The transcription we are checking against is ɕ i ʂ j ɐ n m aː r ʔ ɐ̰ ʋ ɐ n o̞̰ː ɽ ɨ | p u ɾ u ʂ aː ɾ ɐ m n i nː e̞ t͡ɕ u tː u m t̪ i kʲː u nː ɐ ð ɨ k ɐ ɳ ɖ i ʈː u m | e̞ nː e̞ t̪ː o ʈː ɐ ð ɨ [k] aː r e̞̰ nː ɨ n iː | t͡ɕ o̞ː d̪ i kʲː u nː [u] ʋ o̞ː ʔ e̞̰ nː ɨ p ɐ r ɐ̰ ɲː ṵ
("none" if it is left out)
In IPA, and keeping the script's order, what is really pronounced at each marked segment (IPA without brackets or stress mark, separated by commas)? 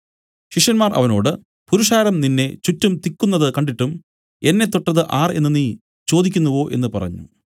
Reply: ʔ, u